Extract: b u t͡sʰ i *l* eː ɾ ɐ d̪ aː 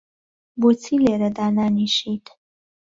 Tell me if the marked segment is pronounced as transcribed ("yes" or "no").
yes